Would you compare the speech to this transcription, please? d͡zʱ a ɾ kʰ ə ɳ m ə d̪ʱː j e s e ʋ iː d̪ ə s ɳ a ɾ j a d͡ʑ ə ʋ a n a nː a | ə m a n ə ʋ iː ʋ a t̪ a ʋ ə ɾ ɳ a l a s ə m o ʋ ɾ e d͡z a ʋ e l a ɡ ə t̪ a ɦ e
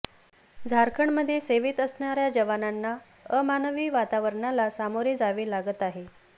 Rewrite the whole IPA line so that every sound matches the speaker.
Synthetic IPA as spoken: d͡zʱ a ɾ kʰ ə ɳ m ə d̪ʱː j e s e ʋ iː t̪ ə s ɳ a ɾ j a d͡ʑ ə ʋ a n a nː a | ə m a n ə ʋ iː ʋ a t̪ a ʋ ə ɾ ɳ a l a s a m o ɾ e d͡z a ʋ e l a ɡ ə t̪ a ɦ e